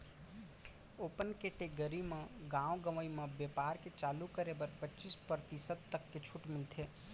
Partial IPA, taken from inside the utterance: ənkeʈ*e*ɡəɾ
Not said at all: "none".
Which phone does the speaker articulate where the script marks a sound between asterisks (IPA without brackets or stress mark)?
e